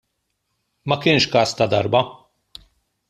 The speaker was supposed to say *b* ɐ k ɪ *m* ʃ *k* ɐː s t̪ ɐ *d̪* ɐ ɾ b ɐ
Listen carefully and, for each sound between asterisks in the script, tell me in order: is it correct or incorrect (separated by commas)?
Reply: incorrect, incorrect, correct, correct